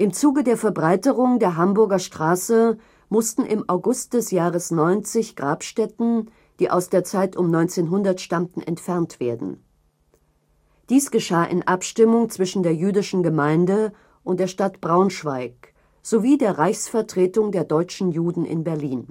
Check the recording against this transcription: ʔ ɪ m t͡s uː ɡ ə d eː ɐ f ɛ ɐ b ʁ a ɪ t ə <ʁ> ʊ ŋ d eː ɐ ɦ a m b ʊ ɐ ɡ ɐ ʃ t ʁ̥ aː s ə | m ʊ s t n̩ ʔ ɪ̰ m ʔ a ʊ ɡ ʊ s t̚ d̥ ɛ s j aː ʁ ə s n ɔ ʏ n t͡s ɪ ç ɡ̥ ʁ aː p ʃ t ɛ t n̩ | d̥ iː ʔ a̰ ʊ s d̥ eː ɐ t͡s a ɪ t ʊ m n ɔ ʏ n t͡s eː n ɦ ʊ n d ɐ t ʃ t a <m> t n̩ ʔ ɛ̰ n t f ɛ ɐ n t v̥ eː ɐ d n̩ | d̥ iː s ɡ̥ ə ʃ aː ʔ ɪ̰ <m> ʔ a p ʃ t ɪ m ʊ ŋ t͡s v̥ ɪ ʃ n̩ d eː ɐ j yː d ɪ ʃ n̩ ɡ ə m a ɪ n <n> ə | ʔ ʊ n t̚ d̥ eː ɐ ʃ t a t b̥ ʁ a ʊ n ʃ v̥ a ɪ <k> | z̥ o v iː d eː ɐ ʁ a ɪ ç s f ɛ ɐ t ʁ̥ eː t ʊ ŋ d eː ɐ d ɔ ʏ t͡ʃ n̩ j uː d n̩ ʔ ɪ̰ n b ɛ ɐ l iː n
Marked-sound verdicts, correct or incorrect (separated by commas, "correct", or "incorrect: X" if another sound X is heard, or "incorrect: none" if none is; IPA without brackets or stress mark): correct, correct, incorrect: n, incorrect: d, correct